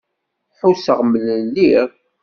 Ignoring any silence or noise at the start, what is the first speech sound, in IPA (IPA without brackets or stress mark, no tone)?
ħ